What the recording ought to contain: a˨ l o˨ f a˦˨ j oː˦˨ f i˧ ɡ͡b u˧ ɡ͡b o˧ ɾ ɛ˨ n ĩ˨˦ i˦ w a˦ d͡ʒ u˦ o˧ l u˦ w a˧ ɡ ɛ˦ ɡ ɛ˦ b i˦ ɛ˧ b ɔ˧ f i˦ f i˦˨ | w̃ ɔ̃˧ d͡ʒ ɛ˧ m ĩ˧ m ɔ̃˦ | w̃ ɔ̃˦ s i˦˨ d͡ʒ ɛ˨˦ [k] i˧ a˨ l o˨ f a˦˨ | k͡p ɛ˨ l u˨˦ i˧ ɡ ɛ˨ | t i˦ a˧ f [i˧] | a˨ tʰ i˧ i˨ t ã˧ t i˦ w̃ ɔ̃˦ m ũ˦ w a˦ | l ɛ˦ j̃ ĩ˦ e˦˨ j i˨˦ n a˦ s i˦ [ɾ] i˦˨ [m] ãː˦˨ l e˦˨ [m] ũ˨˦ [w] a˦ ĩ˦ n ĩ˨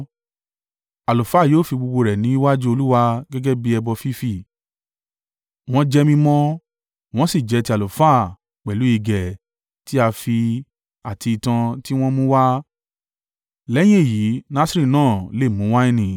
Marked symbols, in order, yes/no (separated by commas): no, yes, yes, no, yes, yes